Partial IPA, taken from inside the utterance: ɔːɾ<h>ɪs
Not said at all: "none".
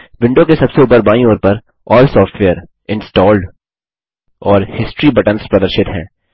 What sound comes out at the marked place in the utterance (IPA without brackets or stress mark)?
h